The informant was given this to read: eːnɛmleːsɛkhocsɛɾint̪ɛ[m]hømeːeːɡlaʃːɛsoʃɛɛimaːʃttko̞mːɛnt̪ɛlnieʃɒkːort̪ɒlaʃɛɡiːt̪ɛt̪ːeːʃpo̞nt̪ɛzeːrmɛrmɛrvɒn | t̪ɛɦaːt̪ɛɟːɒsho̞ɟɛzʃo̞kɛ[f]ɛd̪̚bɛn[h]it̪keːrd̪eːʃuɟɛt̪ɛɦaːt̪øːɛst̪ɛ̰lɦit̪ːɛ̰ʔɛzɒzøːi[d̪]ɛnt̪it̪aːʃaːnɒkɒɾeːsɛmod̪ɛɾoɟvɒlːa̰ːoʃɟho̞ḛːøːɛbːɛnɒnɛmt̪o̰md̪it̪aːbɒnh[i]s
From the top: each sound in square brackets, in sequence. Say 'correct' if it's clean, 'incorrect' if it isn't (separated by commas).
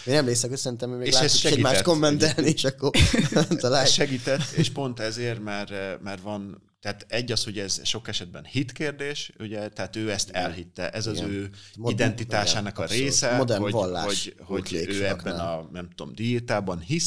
correct, incorrect, correct, correct, correct